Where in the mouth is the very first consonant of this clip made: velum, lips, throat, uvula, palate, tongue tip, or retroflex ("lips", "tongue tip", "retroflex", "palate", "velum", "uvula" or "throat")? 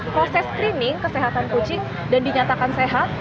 lips